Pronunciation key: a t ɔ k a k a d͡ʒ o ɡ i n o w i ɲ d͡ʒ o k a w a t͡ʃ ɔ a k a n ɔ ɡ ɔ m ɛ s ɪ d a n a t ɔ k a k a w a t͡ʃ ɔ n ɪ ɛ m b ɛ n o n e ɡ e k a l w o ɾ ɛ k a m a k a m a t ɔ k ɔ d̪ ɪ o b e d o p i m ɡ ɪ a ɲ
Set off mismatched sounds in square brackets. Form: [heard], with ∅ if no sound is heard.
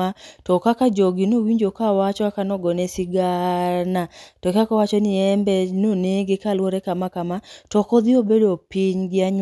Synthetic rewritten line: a t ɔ k a k a d͡ʒ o ɡ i n o w i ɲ d͡ʒ o k a w a t͡ʃ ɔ a k a n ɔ ɡ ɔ [n] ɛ s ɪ [ɡ] a n a t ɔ k a k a w a t͡ʃ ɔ n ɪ ɛ m b ɛ n o n e ɡ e k a l w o ɾ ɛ k a m a k a m a t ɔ k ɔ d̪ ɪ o b e d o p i [ɲ] ɡ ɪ a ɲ